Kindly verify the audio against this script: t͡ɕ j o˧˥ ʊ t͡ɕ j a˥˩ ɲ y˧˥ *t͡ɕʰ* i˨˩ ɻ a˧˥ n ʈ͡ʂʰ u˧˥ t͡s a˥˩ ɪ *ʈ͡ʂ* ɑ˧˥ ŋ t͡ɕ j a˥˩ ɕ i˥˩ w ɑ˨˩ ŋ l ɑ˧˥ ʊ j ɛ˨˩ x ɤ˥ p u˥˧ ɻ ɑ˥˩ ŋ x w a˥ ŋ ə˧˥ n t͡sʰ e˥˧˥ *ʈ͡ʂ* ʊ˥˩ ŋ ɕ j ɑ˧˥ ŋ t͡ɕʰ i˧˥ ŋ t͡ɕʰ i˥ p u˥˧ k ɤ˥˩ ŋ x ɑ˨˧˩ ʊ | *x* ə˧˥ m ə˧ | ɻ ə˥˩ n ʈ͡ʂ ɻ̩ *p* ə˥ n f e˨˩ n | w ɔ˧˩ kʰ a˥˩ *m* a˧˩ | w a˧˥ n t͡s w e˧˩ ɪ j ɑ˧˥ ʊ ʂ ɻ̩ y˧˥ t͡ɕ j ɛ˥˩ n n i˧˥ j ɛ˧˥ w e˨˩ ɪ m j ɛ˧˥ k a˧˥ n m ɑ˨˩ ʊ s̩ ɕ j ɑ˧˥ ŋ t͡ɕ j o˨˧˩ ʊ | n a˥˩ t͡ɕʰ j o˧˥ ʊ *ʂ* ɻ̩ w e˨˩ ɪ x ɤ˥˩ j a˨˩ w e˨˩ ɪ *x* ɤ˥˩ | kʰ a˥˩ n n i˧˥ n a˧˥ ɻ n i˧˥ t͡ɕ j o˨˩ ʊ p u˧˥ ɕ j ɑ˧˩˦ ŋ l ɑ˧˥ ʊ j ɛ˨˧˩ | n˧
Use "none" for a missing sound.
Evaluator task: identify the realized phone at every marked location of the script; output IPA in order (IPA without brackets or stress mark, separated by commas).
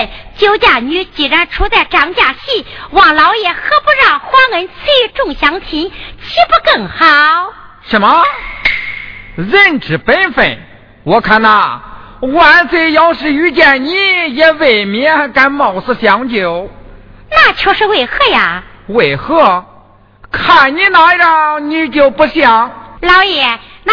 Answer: t͡ɕ, ʈ͡ʂ, ʈ͡ʂ, ʂ, p, n, ʂ, x